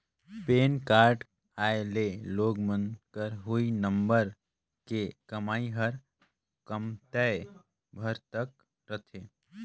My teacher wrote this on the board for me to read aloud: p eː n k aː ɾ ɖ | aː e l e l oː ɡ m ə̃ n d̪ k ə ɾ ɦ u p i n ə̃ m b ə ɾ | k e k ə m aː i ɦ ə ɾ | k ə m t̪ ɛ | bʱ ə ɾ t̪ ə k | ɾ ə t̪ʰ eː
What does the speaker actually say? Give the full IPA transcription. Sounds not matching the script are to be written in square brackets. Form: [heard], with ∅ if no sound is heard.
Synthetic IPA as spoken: p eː n k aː ɾ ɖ | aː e l e l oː ɡ m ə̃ n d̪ k ə ɾ ɦ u [∅] i n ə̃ m b ə ɾ | k e k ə m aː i ɦ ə ɾ | k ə m t̪ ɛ | bʱ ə ɾ t̪ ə k | ɾ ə t̪ʰ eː

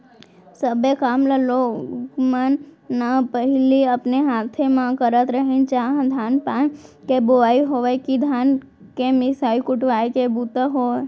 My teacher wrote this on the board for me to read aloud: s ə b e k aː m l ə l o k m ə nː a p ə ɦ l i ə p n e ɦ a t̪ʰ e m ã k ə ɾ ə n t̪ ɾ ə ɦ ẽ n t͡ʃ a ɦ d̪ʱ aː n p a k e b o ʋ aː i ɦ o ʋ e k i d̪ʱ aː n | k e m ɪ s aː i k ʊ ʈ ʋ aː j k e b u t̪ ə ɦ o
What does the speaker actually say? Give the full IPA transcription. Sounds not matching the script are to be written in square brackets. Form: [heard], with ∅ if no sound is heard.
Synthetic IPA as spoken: s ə b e k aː m l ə l o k m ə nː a p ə ɦ l i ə p n e ɦ a t̪ʰ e m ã k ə ɾ ə [∅] t̪ ɾ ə ɦ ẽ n t͡ʃ a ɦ d̪ʱ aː n p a k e b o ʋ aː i ɦ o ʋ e k i d̪ʱ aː n | k e m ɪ s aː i k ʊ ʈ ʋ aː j k e b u t̪ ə ɦ o

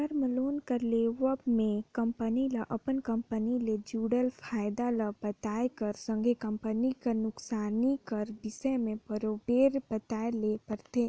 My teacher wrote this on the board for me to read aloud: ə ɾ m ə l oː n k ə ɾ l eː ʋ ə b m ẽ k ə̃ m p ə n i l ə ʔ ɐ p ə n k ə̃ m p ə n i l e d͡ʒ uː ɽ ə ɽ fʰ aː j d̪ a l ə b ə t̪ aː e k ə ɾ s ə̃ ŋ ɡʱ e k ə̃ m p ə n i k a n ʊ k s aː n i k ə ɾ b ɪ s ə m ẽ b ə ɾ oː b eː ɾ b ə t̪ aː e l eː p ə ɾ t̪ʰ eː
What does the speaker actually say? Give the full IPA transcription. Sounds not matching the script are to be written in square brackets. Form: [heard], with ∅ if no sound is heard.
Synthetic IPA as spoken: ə ɾ m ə l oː n k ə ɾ l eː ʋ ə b m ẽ k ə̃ m p ə n i l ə ʔ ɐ p ə n k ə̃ m p ə n i l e d͡ʒ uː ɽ ə [l] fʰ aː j d̪ a l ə b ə t̪ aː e k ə ɾ s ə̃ ŋ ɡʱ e k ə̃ m p ə n i k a n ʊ k s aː n i k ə ɾ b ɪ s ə m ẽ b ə ɾ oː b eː ɾ b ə t̪ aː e l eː p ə ɾ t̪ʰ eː

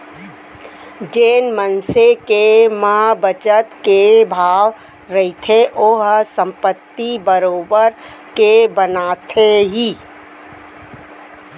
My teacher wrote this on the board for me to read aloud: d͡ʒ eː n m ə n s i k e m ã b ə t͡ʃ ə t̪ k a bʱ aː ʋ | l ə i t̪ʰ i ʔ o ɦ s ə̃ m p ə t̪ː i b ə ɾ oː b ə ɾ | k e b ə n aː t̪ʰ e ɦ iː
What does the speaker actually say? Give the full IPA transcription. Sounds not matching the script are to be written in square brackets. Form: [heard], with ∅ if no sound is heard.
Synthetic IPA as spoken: d͡ʒ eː n m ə n s [e] k e m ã b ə t͡ʃ ə t̪ k [e] bʱ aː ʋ | [ɾ] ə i t̪ʰ [e] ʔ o ɦ s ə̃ m p ə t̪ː i b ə ɾ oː b ə ɾ | k e b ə n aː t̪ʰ e ɦ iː

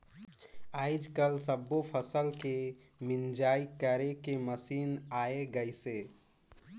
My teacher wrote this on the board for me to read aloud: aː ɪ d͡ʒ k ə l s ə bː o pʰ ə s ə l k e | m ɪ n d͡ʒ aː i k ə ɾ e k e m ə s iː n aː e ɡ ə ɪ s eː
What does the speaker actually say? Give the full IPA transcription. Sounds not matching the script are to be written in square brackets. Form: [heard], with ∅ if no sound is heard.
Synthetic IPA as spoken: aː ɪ d͡ʒ k ə l s ə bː o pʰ ə s ə l k e | m ɪ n d͡ʒ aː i k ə ɾ e k e m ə s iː n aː e ɡ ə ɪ s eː

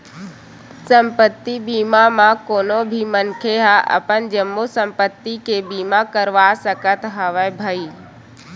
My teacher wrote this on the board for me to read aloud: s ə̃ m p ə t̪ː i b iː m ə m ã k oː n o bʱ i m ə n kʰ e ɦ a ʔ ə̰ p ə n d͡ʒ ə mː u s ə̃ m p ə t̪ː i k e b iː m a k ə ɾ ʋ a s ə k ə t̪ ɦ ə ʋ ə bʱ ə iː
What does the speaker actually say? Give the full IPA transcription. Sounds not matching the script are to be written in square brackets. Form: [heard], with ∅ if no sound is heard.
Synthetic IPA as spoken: s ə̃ m p ə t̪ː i b iː m [a] m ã k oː n o bʱ i m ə n kʰ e ɦ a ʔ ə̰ p ə n d͡ʒ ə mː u s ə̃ m p ə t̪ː i k e b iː m a k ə ɾ ʋ a s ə k ə t̪ ɦ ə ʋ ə bʱ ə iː

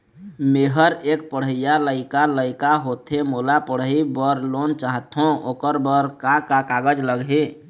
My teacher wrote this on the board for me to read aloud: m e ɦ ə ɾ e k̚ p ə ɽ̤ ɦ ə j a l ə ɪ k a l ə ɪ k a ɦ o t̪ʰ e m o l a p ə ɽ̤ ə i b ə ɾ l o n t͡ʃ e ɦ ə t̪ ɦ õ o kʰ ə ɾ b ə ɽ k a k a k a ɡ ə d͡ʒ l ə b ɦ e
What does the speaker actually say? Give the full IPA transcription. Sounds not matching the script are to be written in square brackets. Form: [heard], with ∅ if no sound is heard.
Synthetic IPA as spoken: m e ɦ ə ɾ e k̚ p ə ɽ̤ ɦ ə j a l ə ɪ k a l ə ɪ k a ɦ o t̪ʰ e m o l a p ə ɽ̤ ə i b ə ɾ l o n t͡ʃ [a] ɦ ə t̪ ɦ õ o [k] ə ɾ b ə [ɾ] k a k a k a ɡ ə d͡ʒ l ə [ɡ] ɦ e

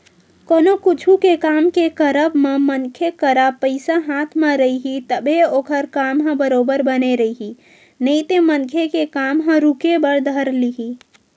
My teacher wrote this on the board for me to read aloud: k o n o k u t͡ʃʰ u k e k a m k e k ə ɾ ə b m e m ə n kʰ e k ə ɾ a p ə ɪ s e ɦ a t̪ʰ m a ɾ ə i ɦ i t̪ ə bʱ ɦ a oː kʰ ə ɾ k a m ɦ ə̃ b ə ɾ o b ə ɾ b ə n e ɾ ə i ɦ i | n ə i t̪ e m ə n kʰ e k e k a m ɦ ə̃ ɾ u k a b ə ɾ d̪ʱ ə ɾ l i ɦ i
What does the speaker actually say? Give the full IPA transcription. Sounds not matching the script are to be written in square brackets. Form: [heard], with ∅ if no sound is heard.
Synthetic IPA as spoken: k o n o k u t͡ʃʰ u k e k a m k e k ə ɾ ə b m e m ə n kʰ e k ə ɾ a p ə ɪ s [a] ɦ a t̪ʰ m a ɾ ə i ɦ i t̪ ə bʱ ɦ [e] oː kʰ ə ɾ k a m ɦ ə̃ b ə ɾ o b ə ɾ b ə n e ɾ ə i ɦ i | n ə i t̪ e m ə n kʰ e k e k a m ɦ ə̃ ɾ u k [e] b ə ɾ d̪ʱ ə ɾ l i ɦ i

